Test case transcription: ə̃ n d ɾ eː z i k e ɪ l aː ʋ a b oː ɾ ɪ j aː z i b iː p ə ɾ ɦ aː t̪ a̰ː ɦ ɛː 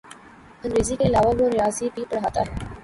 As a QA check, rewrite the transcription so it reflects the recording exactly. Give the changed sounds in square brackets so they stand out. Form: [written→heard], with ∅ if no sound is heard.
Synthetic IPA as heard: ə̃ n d ɾ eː z i k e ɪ l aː ʋ a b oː ɾ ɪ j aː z i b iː p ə [ɾ→ɽ] ɦ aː t̪ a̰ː ɦ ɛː